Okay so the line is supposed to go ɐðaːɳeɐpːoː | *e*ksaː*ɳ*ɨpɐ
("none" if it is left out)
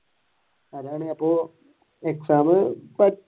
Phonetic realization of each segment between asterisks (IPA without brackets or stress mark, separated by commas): e, m